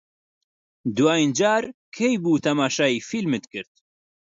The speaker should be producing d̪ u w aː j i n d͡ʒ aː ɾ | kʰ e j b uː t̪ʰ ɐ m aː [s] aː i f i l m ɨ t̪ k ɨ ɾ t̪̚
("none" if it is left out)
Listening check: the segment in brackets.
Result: ʃ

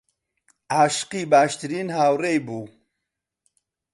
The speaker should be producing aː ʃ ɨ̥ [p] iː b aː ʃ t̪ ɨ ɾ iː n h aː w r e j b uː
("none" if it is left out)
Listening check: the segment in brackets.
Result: q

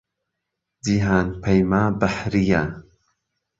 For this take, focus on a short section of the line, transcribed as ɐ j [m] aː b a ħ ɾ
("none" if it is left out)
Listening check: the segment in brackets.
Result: m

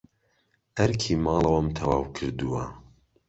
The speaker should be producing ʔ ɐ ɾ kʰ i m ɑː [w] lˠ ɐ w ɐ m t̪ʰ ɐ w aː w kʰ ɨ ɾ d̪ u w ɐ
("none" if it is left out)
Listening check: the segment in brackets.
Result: none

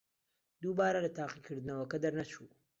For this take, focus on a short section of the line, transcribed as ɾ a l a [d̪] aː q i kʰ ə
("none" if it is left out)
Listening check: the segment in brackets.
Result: t̪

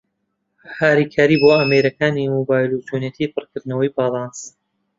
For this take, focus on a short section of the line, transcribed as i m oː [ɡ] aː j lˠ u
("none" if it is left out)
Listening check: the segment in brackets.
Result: b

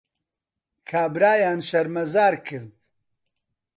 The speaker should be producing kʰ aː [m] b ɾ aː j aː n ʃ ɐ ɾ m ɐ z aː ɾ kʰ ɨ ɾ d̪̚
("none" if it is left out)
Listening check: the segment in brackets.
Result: none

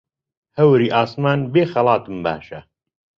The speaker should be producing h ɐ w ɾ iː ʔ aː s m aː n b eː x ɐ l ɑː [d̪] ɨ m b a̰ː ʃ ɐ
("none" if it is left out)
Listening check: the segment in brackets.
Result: t̪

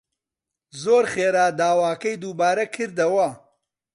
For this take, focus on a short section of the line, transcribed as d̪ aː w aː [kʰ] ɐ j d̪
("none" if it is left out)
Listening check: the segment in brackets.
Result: k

